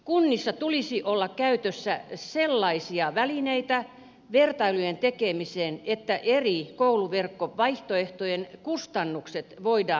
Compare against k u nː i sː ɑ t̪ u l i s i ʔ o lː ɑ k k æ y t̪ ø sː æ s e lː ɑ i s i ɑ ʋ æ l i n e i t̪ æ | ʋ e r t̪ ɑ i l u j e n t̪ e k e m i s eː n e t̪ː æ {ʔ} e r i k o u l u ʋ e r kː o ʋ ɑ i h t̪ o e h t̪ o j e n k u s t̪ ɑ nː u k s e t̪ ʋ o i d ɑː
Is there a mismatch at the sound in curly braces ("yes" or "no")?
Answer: no